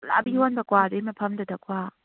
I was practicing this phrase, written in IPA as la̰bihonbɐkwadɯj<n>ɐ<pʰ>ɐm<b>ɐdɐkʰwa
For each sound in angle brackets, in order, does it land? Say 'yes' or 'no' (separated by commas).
no, yes, no